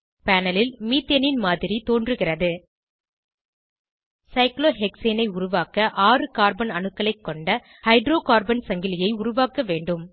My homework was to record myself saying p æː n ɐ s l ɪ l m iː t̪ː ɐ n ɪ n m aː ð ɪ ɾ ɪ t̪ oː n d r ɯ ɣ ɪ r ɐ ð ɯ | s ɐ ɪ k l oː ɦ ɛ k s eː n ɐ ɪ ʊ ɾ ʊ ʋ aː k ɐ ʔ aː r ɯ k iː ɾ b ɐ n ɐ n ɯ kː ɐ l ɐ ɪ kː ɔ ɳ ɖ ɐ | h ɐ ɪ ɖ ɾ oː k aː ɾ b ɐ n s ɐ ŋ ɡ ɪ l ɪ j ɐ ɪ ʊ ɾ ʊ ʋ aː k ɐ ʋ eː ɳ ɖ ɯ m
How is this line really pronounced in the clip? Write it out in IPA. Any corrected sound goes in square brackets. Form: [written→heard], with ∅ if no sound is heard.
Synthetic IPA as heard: p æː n ɐ [s→∅] l ɪ l m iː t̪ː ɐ n ɪ n m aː ð ɪ ɾ [ɪ→i] t̪ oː n d r ɯ ɣ ɪ r ɐ ð ɯ | s ɐ ɪ k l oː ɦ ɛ k s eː n ɐ ɪ ʊ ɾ ʊ ʋ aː k ɐ ʔ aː r ɯ k [iː→aː] ɾ b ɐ n ɐ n ɯ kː ɐ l ɐ ɪ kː ɔ ɳ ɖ ɐ | h ɐ ɪ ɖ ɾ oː k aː ɾ b ɐ n s ɐ ŋ ɡ ɪ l ɪ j ɐ ɪ ʊ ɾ ʊ ʋ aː k ɐ ʋ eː ɳ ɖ ɯ m